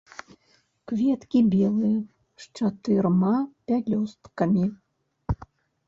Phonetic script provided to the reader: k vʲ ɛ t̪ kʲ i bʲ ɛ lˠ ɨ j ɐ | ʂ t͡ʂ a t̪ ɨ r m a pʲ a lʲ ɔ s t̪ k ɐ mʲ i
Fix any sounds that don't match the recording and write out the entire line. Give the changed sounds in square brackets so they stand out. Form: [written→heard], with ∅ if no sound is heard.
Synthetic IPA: k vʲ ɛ t̪ kʲ i bʲ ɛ lˠ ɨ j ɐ | ʂ t͡ʂ a t̪ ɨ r m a pʲ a lʲ ɔ s t̪ k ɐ mʲ i